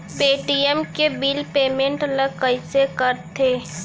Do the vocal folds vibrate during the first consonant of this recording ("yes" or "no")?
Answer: no